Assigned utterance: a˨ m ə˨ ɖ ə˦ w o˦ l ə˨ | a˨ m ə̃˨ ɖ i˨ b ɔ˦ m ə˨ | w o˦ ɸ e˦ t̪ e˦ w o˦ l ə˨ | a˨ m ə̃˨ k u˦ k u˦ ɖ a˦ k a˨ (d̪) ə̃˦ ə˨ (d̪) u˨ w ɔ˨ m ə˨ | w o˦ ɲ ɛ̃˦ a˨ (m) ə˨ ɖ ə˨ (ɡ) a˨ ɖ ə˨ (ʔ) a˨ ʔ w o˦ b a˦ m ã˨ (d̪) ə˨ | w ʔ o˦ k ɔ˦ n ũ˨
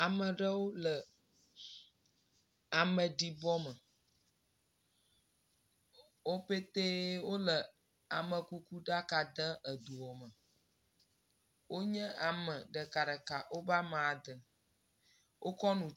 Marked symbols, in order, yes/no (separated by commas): yes, yes, yes, no, no, yes